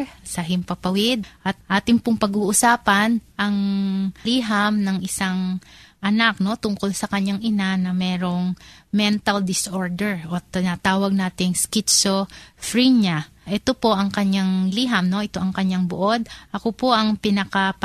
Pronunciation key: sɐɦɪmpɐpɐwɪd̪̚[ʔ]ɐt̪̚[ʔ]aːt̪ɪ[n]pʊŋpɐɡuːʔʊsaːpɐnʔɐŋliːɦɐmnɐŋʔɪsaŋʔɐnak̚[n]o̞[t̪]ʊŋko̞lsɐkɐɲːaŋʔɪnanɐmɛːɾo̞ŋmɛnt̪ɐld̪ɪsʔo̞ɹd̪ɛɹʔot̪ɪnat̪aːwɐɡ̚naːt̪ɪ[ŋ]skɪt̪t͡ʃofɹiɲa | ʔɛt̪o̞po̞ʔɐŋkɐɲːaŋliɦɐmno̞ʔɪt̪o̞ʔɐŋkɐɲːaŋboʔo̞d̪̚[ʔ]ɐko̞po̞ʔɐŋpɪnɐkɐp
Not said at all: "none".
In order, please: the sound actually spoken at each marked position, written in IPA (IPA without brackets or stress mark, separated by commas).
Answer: ʔ, ʔ, ŋ, n, t̪, ŋ, ʔ